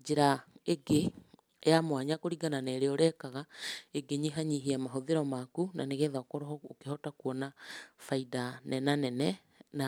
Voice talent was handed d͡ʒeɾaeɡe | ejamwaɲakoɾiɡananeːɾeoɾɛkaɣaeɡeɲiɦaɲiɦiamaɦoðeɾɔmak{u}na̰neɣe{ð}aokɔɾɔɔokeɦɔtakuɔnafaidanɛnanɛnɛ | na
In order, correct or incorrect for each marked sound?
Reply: correct, correct

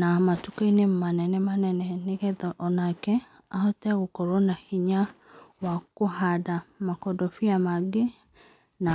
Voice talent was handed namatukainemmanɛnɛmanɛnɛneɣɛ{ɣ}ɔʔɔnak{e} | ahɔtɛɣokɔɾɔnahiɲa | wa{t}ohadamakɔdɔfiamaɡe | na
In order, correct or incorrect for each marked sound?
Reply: incorrect, incorrect, incorrect

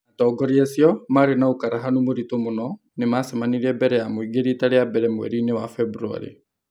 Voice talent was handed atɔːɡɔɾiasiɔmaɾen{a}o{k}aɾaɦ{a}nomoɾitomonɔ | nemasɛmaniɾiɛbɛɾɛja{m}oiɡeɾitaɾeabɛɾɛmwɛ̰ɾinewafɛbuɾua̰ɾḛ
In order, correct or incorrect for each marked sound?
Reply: correct, correct, correct, correct

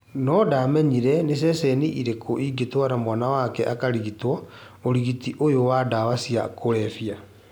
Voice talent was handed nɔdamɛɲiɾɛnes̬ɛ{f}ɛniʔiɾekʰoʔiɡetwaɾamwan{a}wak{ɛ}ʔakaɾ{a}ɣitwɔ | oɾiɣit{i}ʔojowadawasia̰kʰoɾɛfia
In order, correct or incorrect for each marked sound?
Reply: incorrect, correct, correct, incorrect, correct

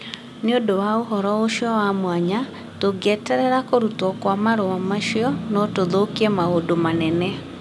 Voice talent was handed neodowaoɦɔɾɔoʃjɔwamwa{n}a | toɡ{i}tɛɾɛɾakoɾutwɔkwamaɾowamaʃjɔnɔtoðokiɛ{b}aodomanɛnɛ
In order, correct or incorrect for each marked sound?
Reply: incorrect, incorrect, incorrect

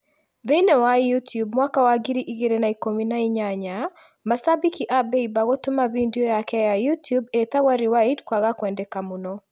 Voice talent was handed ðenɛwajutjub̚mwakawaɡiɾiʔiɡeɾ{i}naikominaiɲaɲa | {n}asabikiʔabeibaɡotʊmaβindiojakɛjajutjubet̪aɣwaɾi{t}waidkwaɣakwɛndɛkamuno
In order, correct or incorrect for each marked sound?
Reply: incorrect, incorrect, incorrect

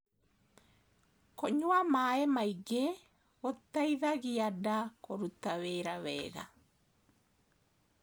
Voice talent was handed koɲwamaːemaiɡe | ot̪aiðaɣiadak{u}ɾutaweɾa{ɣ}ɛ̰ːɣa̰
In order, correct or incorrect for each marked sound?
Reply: incorrect, incorrect

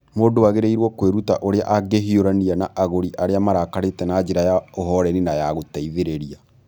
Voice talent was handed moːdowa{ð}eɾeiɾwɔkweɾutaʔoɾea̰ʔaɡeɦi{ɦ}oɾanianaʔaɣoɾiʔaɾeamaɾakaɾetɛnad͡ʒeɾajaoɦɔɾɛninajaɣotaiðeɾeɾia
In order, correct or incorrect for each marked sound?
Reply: incorrect, incorrect

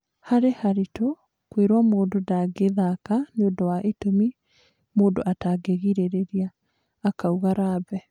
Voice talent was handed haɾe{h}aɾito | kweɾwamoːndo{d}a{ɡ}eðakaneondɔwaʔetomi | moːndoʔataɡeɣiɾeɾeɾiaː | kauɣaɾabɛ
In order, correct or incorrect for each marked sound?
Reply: correct, correct, correct

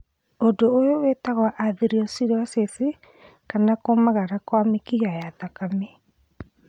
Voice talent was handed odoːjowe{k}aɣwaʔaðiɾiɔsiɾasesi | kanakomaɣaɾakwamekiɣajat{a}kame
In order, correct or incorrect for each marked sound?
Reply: incorrect, correct

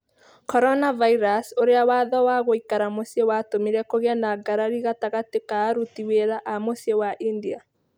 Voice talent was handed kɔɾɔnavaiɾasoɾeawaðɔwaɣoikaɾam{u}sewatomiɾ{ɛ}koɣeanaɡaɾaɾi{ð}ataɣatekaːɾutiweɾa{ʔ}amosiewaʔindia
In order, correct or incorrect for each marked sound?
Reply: incorrect, correct, incorrect, correct

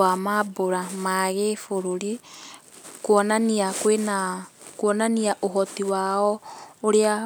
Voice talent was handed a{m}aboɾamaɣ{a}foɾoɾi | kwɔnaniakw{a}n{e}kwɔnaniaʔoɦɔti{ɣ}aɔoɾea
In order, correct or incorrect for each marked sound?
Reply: correct, incorrect, incorrect, incorrect, incorrect

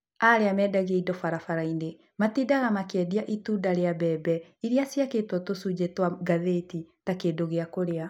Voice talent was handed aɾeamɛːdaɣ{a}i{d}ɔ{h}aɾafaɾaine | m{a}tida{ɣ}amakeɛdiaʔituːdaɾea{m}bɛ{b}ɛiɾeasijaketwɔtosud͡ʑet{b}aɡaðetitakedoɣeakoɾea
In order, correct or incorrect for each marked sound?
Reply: incorrect, correct, incorrect, correct, correct, incorrect, correct, incorrect

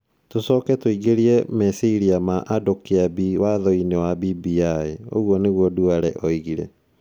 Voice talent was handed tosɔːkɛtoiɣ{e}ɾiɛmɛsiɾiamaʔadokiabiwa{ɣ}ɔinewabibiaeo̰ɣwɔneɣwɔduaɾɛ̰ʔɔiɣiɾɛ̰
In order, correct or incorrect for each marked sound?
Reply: correct, incorrect

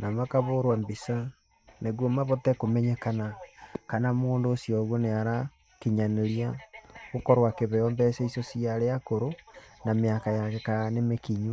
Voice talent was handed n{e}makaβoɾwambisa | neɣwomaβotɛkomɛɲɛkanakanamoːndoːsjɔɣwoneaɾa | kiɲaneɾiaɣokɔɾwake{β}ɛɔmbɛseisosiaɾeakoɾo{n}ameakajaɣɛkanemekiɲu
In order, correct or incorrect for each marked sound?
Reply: incorrect, correct, correct

